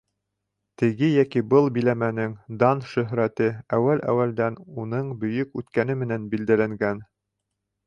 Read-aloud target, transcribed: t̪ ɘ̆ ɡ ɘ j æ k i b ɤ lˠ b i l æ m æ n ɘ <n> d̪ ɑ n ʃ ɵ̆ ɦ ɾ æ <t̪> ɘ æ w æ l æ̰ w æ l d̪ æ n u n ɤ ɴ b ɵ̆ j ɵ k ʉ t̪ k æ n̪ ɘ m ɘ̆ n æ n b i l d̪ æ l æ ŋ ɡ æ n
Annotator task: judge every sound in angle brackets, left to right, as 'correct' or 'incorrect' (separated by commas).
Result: incorrect, correct